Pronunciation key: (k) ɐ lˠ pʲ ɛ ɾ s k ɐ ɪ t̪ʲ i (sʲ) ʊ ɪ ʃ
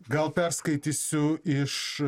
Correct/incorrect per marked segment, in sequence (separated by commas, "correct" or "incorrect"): incorrect, correct